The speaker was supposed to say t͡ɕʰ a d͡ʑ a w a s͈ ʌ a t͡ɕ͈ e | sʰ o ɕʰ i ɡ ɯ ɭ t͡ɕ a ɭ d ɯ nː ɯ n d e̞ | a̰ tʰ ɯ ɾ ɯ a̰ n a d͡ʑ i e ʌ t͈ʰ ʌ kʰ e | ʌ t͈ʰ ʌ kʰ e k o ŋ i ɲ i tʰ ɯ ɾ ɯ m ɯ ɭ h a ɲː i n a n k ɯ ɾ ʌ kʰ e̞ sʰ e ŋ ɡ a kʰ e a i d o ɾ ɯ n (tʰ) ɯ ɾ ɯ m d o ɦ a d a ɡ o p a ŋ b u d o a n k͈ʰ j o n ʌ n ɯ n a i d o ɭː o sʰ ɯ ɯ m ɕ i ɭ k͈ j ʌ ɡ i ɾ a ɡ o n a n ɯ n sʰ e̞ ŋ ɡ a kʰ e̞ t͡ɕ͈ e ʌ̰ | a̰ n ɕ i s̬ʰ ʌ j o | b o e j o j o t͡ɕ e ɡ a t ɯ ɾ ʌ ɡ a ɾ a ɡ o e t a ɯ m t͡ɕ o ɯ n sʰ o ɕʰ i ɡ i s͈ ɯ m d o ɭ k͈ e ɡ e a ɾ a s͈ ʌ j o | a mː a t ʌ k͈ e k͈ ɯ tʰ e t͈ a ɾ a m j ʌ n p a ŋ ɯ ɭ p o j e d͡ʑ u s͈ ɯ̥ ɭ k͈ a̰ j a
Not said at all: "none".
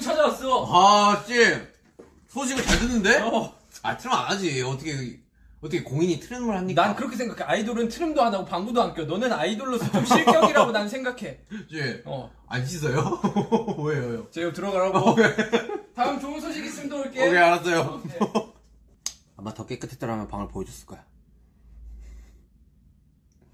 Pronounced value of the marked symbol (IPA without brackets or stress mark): tʰ